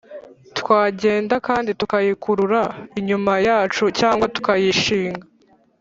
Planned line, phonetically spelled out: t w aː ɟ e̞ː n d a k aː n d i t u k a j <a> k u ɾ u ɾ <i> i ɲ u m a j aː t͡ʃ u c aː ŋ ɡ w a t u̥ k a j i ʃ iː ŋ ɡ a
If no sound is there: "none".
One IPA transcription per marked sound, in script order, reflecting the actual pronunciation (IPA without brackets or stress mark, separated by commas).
i, a